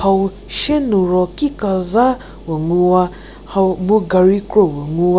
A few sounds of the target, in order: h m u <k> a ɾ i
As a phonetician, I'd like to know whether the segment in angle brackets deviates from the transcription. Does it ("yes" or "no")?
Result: yes